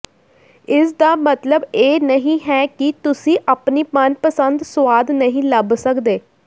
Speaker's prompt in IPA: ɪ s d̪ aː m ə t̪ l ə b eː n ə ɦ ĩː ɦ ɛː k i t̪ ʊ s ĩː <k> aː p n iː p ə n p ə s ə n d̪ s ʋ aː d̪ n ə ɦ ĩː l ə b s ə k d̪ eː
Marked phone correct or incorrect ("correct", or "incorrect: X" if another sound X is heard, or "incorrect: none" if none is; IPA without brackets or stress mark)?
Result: incorrect: ʔ